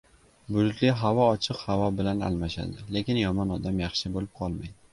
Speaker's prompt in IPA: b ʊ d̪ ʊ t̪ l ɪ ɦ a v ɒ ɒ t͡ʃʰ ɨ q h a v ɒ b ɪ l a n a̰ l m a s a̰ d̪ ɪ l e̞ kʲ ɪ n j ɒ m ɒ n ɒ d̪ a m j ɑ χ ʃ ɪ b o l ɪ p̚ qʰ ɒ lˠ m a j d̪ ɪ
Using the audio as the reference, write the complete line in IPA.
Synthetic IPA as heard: b ʊ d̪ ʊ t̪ l ɪ ɦ a v ɒ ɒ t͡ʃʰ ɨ q h a v ɒ b ɪ l a n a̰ l m a ʃ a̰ d̪ ɪ l e̞ kʲ ɪ n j ɒ m ɒ n ɒ d̪ a m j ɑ χ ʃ ɪ b o l ɪ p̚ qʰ ɒ lˠ m a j d̪ ɪ

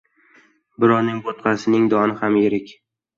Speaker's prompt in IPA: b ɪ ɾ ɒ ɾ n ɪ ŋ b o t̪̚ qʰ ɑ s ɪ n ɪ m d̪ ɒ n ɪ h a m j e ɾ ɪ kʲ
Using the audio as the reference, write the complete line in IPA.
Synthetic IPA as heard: b ɪ ɾ ɒ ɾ n ɪ ŋ b o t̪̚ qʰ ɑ s ɪ n ɪ ŋ d̪ ɒ n ɪ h a m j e ɾ ɪ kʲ

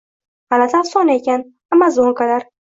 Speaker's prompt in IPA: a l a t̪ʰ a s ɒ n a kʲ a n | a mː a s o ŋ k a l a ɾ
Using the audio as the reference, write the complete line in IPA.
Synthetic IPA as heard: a l a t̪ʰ a s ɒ n e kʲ a n | a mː a z o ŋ k a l a ɾ

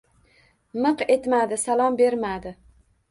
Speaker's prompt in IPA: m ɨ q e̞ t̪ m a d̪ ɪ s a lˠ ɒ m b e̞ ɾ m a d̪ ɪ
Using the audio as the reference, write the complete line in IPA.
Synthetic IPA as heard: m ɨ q e̞ t̪ m a d̪ ɪ s a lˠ ɒ m b e̞ ɾ m a d̪ ɪ

